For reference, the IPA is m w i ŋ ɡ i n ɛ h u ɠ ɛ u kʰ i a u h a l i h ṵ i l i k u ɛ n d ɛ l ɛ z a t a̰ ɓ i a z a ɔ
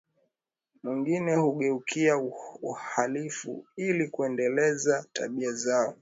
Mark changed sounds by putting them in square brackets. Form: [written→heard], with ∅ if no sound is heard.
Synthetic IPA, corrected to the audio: m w i ŋ ɡ i n ɛ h u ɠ ɛ u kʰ i a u h a l i [h→f] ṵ i l i k u ɛ n d ɛ l ɛ z a t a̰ ɓ i a z a ɔ